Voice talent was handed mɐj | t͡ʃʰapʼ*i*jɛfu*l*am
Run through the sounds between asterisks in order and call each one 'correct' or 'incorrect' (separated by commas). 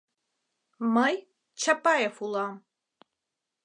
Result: incorrect, correct